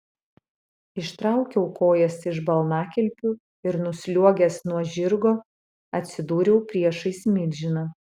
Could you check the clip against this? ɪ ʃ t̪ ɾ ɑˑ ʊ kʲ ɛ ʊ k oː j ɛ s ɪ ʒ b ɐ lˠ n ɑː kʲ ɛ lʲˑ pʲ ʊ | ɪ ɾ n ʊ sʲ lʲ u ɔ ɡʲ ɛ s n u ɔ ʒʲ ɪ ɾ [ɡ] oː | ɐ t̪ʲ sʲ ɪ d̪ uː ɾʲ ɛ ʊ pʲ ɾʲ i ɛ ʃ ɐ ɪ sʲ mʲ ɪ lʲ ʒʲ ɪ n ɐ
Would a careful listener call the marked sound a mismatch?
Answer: no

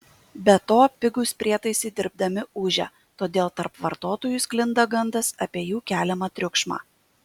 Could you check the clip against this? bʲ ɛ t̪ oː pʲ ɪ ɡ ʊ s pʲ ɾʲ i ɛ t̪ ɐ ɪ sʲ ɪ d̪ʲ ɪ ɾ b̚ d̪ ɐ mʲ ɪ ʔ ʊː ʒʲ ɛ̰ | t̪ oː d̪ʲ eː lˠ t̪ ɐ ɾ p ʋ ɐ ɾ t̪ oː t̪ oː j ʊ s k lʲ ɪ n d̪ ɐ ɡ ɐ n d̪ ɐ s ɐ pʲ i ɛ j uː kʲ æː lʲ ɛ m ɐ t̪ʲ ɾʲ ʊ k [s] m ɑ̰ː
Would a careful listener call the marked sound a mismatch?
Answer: yes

